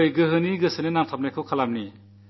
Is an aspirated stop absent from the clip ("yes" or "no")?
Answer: no